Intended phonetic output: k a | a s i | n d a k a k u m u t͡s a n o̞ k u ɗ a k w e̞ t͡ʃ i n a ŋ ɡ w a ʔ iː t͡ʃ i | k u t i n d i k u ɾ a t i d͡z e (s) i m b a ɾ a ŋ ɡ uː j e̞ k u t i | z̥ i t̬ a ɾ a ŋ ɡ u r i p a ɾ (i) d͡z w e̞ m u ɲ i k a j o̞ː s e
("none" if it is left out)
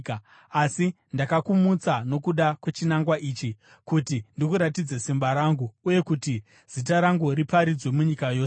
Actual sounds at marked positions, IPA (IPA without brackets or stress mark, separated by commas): s, i